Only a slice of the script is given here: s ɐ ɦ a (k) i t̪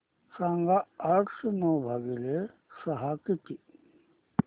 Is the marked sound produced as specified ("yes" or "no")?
yes